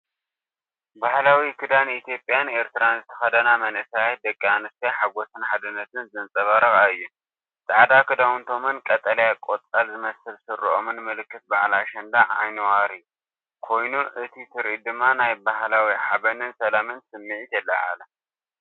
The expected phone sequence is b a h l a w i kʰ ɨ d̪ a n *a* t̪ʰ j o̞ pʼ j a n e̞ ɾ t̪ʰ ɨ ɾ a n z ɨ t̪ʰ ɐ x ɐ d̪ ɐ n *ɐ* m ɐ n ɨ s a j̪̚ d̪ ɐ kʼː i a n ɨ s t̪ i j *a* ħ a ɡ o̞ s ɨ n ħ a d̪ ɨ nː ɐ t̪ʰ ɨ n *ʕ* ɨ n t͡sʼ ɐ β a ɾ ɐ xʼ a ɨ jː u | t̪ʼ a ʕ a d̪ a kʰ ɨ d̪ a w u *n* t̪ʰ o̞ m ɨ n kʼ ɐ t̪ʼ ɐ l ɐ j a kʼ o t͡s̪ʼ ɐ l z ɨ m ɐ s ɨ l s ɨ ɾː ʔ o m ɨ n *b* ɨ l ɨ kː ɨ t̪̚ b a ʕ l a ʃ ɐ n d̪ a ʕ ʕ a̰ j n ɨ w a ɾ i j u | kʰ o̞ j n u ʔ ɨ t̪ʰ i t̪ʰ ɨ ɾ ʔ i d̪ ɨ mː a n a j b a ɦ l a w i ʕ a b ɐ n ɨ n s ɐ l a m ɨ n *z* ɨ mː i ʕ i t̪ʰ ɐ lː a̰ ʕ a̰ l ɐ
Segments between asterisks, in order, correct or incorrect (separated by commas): incorrect, incorrect, correct, incorrect, correct, incorrect, incorrect